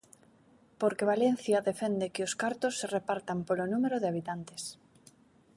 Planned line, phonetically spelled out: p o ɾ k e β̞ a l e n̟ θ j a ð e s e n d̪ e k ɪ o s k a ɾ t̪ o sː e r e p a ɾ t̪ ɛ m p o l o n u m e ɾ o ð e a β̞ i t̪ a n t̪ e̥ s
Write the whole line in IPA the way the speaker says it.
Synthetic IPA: p o ɾ k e β̞ a l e n̟ θ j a ð e f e n d̪ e k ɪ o s k a ɾ t̪ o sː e r e p a ɾ t̪ a m p o l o n u m e ɾ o ð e a β̞ i t̪ a n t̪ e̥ s